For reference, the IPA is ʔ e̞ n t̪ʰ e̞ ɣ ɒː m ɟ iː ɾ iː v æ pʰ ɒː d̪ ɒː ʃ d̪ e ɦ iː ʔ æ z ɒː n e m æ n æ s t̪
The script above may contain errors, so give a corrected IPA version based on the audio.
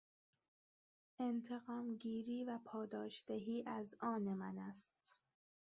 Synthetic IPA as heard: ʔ e̞ n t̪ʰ e̞ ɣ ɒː m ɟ iː ɾ iː v æ pʰ ɒː d̪ ɒː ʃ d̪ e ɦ iː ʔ æ z ɒː n e m æ n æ s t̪

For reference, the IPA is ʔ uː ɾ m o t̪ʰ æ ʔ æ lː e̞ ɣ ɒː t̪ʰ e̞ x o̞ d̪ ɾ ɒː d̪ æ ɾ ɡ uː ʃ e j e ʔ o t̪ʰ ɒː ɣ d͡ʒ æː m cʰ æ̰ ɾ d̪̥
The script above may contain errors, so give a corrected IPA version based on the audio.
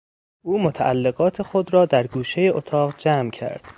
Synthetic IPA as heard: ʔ uː m o t̪ʰ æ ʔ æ lː e̞ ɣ ɒː t̪ʰ e̞ x o̞ d̪ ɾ ɒː d̪ æ ɾ ɡ uː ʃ e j e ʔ o t̪ʰ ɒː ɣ d͡ʒ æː m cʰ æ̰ ɾ d̪̥

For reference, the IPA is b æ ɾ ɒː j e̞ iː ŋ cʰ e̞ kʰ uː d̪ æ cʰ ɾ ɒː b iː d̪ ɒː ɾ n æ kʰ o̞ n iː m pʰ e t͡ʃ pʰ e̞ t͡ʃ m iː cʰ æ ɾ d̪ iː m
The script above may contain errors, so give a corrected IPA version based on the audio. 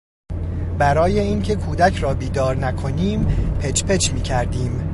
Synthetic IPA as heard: b æ ɾ ɒː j e̞ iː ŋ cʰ e̞ kʰ uː d̪ æ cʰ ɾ ɒː b iː d̪ ɒː ɾ n æ kʰ o̞ n iː m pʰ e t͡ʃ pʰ e̞ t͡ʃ m iː cʰ æ ɾ d̪ iː m

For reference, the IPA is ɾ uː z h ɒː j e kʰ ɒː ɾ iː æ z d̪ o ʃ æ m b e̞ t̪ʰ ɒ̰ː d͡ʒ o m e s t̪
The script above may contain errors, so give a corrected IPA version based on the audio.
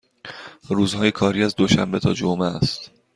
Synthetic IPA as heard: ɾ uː z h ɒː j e kʰ ɒː ɾ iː æ z d̪ o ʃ æ m b e̞ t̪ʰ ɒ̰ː d͡ʒ o m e s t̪

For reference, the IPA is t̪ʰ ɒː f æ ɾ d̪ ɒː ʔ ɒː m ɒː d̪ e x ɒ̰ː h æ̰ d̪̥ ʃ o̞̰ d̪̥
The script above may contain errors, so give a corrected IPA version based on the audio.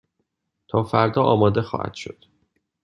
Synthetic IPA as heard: t̪ʰ ɒː f æ ɾ d̪ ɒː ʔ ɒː m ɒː d̪ e x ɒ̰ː h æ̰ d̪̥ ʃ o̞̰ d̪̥

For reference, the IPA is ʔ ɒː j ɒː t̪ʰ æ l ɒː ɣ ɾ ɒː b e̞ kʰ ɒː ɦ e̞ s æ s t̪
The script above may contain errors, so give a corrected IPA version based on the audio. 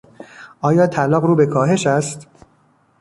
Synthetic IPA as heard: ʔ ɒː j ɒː t̪ʰ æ l ɒː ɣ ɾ uː b e̞ kʰ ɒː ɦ e̞ ʃ æ s t̪

